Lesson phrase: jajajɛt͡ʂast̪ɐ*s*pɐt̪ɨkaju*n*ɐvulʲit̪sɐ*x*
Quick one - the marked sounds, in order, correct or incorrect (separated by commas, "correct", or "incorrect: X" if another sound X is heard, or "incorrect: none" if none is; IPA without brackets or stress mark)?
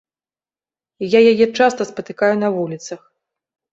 correct, correct, correct